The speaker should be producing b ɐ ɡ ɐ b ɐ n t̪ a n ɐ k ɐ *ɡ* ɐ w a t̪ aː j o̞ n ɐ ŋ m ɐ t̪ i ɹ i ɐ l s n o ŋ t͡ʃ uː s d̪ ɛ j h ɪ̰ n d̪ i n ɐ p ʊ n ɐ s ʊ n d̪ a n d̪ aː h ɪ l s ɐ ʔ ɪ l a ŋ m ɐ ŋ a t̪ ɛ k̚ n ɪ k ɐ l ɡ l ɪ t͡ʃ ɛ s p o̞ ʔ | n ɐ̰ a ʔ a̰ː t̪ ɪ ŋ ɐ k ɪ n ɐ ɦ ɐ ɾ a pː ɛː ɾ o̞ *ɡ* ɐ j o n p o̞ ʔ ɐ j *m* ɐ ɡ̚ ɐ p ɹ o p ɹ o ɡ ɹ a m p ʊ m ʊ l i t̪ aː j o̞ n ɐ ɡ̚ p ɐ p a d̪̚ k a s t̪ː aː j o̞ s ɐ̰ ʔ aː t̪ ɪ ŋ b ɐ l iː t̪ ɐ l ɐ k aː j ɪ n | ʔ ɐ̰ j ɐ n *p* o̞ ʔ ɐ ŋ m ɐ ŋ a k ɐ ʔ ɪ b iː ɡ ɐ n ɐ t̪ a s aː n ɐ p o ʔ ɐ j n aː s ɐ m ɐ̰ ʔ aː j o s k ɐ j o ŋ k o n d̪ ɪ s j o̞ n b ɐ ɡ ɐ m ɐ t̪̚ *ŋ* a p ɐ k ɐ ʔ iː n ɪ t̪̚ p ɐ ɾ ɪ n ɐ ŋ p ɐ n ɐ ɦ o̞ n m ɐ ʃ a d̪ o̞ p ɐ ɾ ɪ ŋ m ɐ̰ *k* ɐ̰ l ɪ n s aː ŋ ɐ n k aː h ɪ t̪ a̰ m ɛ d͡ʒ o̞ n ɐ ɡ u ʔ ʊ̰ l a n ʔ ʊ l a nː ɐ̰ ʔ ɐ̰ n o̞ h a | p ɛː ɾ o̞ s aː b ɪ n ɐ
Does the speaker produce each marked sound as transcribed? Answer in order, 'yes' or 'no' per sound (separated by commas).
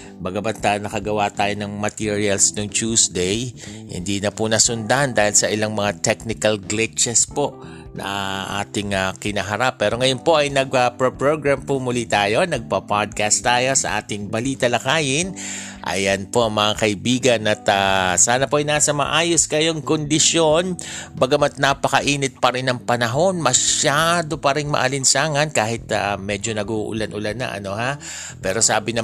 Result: yes, no, no, yes, no, no